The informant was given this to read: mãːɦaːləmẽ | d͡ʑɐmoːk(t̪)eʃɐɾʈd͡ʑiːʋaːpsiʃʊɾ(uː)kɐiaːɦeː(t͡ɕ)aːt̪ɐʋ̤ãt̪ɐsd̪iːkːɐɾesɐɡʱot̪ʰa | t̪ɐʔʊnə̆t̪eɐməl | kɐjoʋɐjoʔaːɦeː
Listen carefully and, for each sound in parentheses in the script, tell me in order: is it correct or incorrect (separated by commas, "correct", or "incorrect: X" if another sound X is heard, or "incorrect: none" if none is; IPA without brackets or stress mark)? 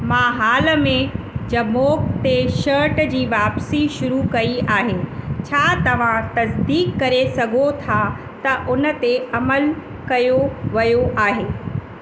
correct, incorrect: u, incorrect: t͡ɕʰ